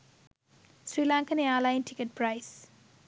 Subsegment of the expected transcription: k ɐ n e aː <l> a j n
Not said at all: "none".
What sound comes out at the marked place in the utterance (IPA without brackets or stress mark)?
l